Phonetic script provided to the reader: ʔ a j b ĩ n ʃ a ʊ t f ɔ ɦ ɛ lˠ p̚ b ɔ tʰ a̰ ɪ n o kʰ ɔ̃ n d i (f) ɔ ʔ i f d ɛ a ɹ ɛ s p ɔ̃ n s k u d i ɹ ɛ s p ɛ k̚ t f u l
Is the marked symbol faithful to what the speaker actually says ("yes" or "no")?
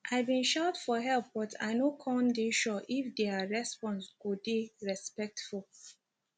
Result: no